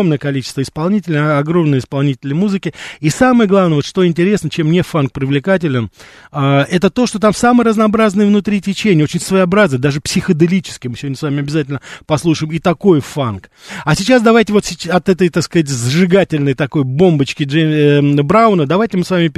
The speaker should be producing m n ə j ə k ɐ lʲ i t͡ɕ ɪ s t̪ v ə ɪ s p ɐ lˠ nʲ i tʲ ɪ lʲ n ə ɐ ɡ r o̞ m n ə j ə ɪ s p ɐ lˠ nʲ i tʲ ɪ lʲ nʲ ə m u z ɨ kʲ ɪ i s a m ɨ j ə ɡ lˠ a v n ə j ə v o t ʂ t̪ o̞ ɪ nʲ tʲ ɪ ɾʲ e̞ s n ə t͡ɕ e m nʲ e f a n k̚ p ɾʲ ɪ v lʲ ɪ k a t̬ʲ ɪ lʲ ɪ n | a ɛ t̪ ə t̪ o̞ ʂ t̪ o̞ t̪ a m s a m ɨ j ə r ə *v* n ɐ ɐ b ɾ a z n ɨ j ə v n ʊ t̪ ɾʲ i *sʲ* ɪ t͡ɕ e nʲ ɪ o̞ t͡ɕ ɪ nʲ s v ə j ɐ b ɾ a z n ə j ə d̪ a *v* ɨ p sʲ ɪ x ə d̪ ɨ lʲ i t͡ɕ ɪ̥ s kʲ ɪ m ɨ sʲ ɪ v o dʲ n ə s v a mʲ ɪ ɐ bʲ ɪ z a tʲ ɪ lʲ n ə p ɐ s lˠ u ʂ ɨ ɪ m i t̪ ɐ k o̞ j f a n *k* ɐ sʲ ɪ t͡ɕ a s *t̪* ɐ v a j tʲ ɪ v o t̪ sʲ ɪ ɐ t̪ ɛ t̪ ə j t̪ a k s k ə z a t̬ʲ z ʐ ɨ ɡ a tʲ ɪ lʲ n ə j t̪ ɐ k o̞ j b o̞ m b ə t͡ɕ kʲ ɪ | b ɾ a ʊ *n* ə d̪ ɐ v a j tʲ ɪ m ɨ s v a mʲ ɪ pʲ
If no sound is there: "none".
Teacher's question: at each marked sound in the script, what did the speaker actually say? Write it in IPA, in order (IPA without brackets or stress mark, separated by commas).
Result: z, tʲ, ʐ, k, d̪, n